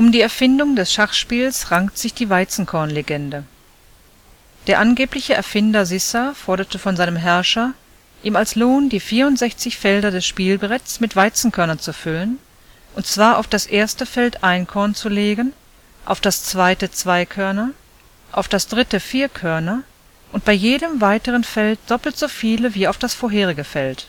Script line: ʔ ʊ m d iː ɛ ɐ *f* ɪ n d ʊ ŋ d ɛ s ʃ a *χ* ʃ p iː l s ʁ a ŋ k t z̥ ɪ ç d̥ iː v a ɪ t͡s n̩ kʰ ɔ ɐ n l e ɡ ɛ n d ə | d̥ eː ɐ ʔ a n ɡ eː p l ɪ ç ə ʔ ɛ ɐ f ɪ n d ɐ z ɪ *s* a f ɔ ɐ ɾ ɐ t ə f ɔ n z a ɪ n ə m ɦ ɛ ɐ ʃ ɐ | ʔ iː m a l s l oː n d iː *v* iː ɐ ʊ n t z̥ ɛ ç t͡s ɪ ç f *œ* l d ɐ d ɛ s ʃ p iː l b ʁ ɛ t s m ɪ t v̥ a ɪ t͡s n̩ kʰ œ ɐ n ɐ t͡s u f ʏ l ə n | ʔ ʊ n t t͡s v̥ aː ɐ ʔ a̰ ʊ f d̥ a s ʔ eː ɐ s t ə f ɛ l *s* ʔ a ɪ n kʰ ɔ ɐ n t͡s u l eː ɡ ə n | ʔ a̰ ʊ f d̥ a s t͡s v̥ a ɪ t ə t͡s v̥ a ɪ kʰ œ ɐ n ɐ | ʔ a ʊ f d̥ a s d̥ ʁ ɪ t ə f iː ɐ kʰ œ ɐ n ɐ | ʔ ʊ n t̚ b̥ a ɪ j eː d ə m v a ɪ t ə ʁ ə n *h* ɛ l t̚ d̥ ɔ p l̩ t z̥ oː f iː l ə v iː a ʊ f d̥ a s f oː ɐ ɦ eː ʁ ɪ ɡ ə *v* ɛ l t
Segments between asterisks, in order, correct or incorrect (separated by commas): correct, correct, correct, incorrect, incorrect, incorrect, incorrect, incorrect